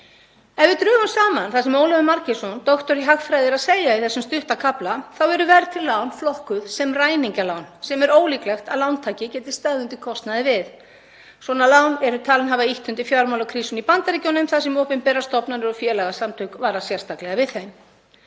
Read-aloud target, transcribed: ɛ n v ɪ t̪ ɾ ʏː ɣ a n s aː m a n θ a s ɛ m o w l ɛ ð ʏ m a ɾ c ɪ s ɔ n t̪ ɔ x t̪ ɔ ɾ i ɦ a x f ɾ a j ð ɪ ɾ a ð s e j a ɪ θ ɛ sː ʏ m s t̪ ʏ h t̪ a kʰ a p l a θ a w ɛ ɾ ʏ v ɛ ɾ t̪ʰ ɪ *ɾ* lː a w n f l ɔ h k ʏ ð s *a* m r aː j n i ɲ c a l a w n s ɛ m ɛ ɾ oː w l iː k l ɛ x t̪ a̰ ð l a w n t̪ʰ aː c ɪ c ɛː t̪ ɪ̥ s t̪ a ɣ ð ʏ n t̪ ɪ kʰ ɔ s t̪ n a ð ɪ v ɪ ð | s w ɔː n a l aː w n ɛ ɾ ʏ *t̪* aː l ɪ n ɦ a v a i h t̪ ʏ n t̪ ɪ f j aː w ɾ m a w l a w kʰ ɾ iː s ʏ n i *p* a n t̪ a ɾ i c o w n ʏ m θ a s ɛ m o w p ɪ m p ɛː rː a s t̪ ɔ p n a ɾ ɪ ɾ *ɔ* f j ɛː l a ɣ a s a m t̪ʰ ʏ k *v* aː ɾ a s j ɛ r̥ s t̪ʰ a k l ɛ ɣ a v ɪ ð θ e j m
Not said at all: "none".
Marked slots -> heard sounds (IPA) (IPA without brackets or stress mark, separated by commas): l, ɛ, t̪ʰ, p, ɔ, v